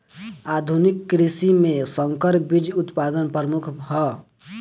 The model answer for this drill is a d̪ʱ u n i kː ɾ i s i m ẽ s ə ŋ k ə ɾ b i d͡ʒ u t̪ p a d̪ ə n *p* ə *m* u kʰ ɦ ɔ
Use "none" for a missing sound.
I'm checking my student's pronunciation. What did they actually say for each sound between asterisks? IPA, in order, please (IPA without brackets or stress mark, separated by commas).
p, m